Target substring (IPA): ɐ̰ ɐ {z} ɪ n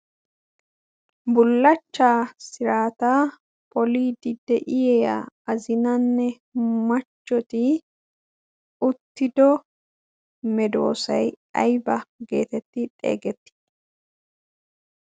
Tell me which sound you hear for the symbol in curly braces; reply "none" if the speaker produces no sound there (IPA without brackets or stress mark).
z